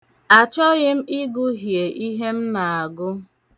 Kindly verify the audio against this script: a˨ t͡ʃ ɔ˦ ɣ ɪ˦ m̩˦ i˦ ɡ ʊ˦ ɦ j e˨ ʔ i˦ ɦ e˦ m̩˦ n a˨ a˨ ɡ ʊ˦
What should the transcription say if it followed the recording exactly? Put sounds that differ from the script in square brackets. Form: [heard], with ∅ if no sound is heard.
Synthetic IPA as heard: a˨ t͡ʃ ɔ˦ ɣ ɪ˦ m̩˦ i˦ ɡ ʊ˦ ɦ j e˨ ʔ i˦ ɦ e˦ m̩˦ n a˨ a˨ ɡ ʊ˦